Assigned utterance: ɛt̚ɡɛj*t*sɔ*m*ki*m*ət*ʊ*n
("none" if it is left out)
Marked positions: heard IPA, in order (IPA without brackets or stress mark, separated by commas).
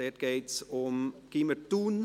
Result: t, m, m, u